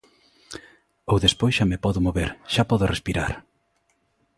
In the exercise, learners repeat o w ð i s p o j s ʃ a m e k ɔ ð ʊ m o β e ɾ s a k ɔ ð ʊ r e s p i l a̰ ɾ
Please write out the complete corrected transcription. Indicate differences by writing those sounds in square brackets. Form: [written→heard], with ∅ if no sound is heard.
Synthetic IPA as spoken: o w ð [i→e] s p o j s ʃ a m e [k→p] ɔ ð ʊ m o β e ɾ [s→ʃ] a [k→p] ɔ ð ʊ r e s p i [l→ɾ] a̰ ɾ